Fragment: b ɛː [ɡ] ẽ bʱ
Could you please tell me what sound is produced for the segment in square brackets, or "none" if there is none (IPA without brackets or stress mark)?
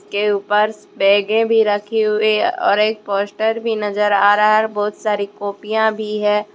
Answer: ɡ